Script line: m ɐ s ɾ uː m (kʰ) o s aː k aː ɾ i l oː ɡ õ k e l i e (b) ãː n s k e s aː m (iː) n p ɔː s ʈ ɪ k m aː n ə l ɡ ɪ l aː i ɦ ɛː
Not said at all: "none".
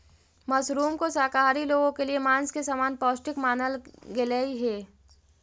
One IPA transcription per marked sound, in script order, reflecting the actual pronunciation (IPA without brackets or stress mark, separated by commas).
k, m, aː